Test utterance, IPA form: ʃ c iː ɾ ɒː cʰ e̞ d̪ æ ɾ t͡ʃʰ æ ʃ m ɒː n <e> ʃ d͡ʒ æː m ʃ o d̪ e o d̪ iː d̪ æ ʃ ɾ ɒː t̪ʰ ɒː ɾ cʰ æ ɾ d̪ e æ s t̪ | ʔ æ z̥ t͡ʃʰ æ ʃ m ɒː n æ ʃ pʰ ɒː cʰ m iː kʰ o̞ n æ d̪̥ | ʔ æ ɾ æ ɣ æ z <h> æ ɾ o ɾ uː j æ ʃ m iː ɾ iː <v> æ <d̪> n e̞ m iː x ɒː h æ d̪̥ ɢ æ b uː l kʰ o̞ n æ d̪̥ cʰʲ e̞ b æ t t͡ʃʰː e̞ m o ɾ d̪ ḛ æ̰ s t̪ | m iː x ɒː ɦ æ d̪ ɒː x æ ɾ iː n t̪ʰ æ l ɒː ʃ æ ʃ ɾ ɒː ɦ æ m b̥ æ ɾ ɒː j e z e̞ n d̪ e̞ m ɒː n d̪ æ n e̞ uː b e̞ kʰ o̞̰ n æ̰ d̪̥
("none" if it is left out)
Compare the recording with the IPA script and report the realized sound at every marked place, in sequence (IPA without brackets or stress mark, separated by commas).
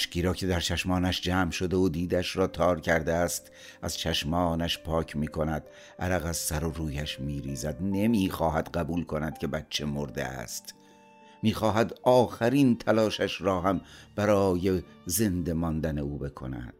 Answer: æ, s, z, d̪